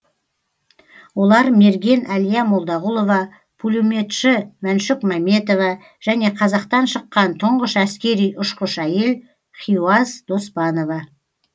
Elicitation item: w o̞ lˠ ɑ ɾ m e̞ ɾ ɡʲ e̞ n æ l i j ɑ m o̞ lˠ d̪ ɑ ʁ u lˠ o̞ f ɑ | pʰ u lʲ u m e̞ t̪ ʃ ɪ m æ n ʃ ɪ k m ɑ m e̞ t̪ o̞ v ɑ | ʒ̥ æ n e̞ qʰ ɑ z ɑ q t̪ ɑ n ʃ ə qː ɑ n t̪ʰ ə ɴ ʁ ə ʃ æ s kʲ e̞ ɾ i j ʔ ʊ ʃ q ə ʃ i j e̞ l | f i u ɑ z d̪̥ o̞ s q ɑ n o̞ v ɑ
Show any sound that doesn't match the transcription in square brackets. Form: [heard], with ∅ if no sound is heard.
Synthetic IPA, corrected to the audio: w o̞ lˠ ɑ ɾ m e̞ ɾ ɡʲ e̞ n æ l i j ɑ m o̞ lˠ d̪ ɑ ʁ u lˠ o̞ [v] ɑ | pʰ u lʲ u m e̞ t̪ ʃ ɪ m æ n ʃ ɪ k m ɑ m e̞ t̪ o̞ v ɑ | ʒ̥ æ n e̞ qʰ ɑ z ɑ q t̪ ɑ n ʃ ə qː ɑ n t̪ʰ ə ɴ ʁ ə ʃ æ s kʲ e̞ ɾ i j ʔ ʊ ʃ q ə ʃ [æ] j e̞ l | [χ] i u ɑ z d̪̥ o̞ s [p] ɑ n o̞ v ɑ